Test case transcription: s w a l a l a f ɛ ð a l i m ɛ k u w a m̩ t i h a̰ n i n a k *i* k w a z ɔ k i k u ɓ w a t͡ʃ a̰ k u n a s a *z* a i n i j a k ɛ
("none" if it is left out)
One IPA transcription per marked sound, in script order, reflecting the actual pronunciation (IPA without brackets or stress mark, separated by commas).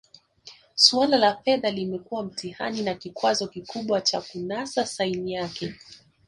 i, s